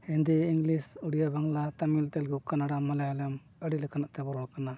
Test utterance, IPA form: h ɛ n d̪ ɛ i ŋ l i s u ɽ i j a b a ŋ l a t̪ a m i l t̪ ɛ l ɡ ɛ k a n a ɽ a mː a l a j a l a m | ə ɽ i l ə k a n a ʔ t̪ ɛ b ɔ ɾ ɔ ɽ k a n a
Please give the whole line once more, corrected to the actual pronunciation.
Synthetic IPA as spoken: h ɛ n d̪ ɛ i ŋ l i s u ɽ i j a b a ŋ l a t̪ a m i l t̪ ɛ l ɡ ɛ k a n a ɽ a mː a l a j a l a m | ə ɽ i l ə k a n a ʔ t̪ ɛ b ɔ ɾ ɔ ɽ k a n a